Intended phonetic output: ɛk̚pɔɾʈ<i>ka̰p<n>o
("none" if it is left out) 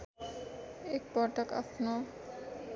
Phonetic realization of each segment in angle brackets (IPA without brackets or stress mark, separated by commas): a, n